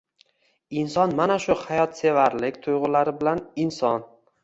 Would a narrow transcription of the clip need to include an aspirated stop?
yes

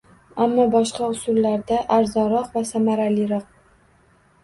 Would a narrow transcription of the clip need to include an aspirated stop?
no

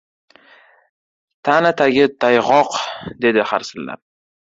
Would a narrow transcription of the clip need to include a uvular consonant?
yes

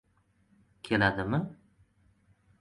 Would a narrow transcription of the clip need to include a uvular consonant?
no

